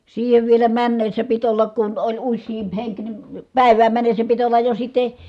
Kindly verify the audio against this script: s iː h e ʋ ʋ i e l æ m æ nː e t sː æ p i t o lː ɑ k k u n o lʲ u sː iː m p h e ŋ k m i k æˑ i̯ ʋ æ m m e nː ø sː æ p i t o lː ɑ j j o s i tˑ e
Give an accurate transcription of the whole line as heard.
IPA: s iː h e ʋ ʋ i e l æ m æ nː e sː æ p i t o lː ɑ k k u n o lʲ u sː iː m p h e ŋ k n i p æˑ i̯ ʋ æː m m æ nː e sː æ p i t o lː ɑ j j o s i tˑ e